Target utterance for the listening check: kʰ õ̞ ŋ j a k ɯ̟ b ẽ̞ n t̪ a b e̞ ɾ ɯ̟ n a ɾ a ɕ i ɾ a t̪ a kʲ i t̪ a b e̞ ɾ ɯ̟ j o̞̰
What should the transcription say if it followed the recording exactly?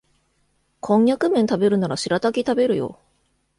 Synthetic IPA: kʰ õ̞ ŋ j a k ɯ̟ m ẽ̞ n t̪ a b e̞ ɾ ɯ̟ n a ɾ a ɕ i ɾ a t̪ a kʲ i t̪ a b e̞ ɾ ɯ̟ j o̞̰